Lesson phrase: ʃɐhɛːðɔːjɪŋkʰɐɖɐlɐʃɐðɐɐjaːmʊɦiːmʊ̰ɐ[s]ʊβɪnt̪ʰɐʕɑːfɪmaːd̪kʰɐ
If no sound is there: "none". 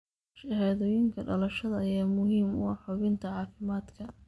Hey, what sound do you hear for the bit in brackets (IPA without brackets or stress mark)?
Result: ħ